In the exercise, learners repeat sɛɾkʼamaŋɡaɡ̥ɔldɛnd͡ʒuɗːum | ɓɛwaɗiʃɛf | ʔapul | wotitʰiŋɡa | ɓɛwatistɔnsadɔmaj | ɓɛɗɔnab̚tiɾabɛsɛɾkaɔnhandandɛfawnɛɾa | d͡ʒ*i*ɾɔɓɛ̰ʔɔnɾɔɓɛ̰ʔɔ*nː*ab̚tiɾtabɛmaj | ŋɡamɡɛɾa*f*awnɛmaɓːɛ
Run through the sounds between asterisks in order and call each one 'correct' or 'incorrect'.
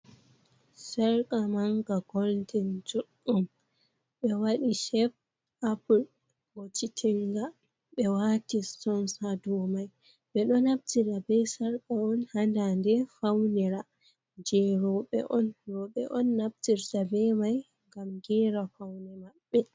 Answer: incorrect: ɛ, correct, correct

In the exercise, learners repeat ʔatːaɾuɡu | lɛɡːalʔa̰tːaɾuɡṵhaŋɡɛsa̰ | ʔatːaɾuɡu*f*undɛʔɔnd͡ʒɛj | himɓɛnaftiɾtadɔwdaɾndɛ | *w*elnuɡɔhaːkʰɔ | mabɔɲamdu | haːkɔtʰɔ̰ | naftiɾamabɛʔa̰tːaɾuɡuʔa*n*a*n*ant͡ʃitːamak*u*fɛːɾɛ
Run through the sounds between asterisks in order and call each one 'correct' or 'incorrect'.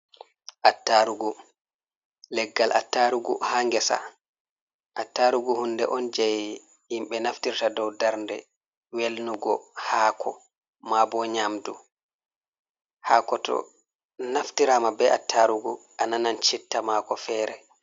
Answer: incorrect: h, correct, correct, correct, incorrect: ɔ

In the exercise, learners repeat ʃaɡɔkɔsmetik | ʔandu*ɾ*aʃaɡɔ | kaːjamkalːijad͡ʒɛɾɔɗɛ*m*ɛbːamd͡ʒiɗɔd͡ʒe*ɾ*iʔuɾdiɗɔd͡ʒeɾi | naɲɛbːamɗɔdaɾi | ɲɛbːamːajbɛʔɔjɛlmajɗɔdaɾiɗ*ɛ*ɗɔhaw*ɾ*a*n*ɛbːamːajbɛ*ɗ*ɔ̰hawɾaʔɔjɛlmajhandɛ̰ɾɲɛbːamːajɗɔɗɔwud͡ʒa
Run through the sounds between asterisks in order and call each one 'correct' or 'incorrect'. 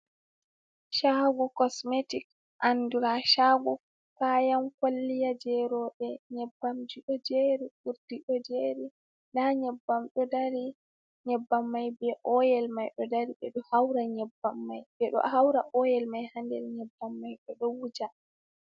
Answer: correct, incorrect: ɲ, correct, correct, correct, incorrect: ɲ, correct

